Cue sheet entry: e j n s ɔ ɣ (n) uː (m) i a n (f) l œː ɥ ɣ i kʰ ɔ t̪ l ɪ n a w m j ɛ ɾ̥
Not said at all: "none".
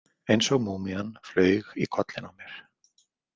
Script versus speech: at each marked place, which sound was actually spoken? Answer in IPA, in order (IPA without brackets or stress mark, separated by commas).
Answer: m, m, f